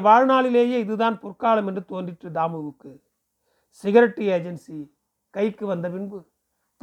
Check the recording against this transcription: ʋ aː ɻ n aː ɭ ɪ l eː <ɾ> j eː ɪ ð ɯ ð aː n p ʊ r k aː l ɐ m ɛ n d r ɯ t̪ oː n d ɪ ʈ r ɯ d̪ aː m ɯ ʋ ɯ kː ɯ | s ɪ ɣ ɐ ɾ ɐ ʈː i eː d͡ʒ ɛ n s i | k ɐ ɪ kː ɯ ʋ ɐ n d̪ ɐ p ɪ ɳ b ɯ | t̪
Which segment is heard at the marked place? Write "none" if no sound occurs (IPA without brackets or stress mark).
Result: none